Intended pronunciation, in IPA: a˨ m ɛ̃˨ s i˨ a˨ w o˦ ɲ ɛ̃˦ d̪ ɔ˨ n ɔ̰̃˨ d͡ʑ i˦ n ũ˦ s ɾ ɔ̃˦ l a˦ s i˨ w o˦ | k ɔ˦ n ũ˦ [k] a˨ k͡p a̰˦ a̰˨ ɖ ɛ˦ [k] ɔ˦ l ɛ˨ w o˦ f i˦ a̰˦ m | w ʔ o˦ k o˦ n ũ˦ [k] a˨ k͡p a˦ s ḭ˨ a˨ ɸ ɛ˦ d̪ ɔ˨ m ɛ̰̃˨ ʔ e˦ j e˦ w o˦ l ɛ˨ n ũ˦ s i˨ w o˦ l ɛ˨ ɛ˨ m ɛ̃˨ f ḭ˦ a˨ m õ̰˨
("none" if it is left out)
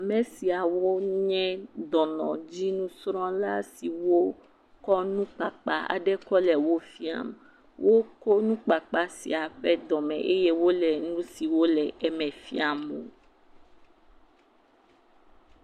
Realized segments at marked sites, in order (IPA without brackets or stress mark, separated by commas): k͡p, k, k͡p